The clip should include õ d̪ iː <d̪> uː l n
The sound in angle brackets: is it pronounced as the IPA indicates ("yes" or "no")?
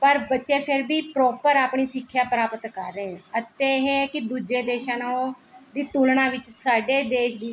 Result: no